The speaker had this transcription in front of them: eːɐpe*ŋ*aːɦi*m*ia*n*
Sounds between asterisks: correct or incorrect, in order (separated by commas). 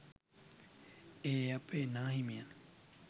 incorrect, correct, correct